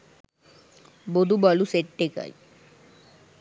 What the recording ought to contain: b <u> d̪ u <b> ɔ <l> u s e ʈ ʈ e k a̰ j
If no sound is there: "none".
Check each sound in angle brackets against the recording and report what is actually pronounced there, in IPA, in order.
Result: o, b, l

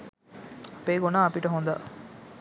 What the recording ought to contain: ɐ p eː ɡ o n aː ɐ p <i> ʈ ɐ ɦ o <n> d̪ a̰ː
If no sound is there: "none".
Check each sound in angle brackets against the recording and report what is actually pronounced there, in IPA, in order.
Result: i, n

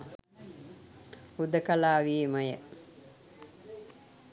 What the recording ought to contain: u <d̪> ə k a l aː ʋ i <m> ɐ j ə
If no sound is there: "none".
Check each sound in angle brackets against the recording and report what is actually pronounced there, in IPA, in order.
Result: d̪, m

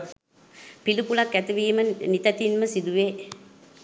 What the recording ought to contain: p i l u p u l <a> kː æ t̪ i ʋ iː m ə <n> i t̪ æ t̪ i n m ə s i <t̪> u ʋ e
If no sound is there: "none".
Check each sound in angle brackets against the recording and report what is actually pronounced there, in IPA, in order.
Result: a, n, d̪

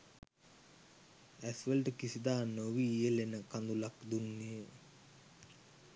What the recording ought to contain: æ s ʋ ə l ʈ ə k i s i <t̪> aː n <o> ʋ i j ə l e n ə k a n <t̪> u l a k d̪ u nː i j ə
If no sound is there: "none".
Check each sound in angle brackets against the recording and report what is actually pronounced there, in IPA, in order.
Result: d̪, o, d̪

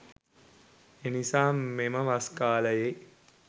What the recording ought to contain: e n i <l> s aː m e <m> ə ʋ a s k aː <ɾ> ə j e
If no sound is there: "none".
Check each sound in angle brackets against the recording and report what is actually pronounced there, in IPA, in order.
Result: none, m, l

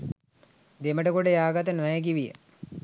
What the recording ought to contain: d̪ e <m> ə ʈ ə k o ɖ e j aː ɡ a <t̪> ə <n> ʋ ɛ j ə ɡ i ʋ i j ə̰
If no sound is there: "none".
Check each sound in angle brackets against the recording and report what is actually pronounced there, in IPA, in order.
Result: m, t̪, n

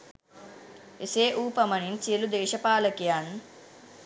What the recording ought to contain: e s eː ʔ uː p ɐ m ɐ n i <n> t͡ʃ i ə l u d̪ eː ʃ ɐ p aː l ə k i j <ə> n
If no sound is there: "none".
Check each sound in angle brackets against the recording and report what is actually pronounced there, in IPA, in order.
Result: n, a

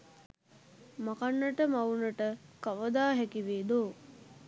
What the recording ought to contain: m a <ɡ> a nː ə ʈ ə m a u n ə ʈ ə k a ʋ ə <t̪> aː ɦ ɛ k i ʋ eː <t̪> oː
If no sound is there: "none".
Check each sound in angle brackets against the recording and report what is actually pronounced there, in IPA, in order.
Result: k, d̪, d̪

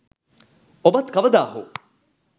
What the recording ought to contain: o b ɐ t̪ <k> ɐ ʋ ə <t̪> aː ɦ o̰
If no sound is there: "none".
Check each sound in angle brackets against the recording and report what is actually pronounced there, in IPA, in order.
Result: k, d̪

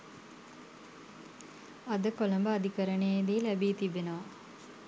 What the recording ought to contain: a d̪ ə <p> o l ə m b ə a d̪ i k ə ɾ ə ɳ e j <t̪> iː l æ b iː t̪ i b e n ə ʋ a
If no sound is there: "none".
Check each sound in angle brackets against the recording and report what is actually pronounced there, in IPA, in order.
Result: k, d̪

